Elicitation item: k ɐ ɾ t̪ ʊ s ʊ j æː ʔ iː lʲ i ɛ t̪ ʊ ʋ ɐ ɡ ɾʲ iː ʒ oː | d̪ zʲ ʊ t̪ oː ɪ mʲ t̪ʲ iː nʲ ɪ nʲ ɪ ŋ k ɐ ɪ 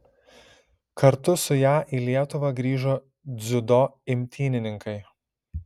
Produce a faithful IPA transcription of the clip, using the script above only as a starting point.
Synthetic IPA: k ɐ ɾ t̪ ʊ s ʊ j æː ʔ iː lʲ i ɛ t̪ ʊ ʋ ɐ ɡ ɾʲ iː ʒ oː | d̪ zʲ ʊ d̪ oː ɪ mʲ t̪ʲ iː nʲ ɪ nʲ ɪ ŋ k ɐ ɪ